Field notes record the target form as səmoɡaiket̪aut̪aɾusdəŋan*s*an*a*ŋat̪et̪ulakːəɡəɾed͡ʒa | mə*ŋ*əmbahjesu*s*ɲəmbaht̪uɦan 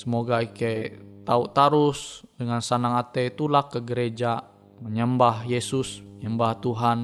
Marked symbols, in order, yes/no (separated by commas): yes, yes, no, yes